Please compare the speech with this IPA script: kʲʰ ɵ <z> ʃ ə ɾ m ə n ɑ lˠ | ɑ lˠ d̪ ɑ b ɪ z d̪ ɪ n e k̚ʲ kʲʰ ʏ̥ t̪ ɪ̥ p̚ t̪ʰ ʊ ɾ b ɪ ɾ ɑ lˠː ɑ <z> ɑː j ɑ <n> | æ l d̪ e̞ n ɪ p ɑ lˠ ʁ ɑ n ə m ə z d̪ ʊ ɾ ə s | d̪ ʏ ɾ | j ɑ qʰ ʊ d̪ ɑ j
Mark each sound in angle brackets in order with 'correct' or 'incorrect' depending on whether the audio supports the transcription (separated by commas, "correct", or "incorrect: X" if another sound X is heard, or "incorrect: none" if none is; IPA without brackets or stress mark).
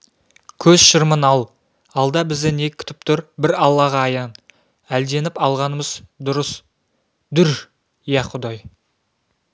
correct, incorrect: ʁ, correct